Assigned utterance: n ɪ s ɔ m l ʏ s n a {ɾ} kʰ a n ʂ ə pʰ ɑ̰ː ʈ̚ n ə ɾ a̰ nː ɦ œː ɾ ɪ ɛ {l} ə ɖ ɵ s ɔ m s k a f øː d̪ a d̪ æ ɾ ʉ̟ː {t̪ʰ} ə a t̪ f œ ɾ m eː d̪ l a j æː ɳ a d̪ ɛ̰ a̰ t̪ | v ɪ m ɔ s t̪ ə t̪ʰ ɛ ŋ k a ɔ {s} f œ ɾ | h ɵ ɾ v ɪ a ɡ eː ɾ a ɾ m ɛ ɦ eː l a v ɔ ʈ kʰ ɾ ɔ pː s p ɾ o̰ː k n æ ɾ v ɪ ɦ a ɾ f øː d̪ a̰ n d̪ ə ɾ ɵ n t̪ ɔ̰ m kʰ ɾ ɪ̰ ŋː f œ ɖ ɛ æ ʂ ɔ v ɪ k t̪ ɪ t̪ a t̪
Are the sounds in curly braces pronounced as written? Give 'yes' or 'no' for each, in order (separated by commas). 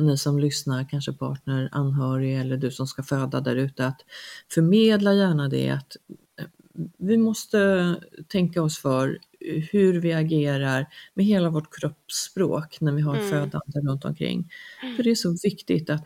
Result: yes, no, no, yes